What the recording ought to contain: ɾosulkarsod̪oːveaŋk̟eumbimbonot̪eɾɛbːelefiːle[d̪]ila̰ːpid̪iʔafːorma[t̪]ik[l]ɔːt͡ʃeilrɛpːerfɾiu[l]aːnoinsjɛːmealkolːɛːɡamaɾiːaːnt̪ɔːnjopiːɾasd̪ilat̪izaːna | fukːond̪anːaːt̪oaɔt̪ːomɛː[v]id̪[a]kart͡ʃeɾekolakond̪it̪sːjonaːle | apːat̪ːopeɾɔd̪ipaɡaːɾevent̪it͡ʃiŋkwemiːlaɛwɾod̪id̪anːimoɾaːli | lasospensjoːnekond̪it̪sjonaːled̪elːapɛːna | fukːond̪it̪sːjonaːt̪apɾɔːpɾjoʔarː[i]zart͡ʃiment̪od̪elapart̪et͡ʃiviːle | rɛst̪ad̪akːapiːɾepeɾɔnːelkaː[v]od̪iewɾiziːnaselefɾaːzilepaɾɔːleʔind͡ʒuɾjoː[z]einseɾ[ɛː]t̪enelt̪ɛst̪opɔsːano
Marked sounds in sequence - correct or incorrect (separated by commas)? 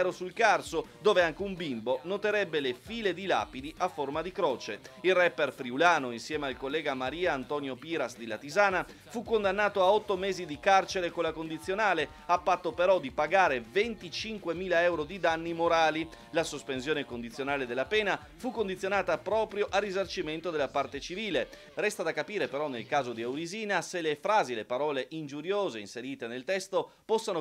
correct, incorrect, incorrect, correct, incorrect, incorrect, correct, incorrect, correct, incorrect